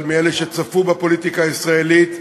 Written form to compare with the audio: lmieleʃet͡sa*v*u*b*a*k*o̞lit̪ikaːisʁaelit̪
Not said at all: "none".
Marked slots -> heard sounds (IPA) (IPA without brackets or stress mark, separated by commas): f, b, p